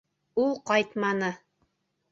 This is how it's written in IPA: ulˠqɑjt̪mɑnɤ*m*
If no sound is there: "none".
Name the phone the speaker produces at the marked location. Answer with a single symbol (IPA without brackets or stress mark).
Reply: none